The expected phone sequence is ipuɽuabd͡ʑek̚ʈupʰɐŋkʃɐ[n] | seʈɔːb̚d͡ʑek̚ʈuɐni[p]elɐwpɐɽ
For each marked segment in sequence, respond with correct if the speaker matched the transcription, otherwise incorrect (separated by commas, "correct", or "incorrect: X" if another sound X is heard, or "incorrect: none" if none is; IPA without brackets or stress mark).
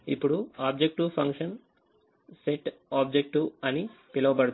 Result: correct, correct